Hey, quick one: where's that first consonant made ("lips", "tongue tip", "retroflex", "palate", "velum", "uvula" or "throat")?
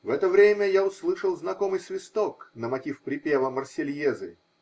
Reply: lips